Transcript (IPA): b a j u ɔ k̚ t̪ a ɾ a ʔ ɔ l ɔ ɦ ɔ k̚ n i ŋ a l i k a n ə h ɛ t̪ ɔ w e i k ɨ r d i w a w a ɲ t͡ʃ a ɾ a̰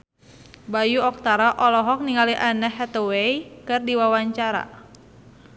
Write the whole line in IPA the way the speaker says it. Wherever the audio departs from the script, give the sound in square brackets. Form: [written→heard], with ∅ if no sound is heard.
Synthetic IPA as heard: b a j u ɔ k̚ t̪ a ɾ a ʔ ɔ l ɔ ɦ ɔ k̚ n i ŋ a l i [k→ʔ] a n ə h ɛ t̪ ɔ w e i k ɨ r d i w a w a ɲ t͡ʃ a ɾ a̰